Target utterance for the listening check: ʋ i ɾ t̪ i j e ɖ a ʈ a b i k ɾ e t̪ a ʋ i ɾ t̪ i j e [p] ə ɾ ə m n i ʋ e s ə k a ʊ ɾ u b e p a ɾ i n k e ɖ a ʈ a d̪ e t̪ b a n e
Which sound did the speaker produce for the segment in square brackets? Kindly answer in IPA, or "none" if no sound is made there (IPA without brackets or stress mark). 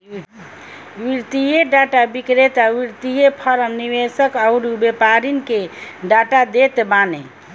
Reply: pʰ